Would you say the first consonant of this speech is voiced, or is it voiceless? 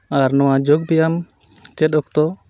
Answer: voiced